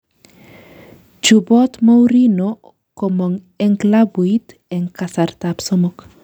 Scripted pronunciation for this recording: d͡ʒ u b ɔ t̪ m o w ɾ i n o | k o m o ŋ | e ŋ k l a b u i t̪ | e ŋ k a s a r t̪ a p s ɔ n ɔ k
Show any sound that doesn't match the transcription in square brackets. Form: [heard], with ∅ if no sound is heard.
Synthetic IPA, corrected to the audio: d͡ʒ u b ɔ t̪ m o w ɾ i n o | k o m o ŋ | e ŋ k l a b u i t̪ | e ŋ k a s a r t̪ a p s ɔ [m] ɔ k